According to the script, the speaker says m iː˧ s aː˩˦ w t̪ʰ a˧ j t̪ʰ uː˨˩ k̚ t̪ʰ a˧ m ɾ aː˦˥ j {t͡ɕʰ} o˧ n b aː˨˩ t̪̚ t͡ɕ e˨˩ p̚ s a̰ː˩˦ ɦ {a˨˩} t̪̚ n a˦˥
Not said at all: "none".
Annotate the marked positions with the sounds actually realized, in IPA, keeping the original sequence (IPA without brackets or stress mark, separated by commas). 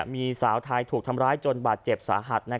t͡ɕ, a˨˩